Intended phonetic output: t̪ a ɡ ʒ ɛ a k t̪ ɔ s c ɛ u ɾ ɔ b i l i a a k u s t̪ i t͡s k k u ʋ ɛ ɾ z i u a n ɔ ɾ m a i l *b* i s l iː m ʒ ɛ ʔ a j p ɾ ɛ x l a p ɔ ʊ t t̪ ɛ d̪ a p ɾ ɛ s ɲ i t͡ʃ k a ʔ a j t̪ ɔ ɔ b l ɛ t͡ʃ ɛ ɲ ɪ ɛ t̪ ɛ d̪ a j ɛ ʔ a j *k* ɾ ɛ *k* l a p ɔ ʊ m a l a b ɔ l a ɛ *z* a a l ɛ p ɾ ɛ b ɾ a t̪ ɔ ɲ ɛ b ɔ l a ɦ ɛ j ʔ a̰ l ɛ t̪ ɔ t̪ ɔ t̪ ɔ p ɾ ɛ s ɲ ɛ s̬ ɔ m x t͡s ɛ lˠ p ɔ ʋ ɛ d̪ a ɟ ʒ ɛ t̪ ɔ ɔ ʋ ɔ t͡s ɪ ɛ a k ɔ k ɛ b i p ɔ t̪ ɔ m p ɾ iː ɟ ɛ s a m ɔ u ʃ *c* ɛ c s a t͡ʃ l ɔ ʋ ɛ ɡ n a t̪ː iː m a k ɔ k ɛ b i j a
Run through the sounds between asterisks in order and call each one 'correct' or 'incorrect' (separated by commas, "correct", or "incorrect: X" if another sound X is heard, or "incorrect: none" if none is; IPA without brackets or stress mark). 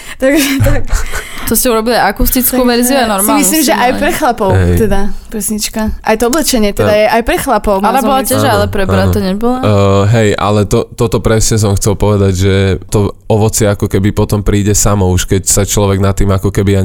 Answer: incorrect: m, incorrect: p, incorrect: x, incorrect: ʒ, incorrect: k